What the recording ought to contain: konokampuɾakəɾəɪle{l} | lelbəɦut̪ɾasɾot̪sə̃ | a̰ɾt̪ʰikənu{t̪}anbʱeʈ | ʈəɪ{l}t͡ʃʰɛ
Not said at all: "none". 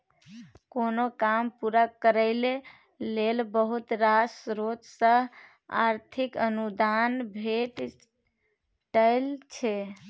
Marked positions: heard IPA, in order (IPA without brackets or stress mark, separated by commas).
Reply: none, d̪, l